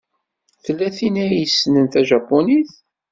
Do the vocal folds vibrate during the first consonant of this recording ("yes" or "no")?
no